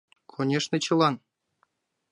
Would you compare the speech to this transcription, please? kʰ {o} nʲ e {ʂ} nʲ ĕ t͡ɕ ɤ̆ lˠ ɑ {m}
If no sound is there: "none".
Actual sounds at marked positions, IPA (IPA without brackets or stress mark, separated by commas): o, ʂ, n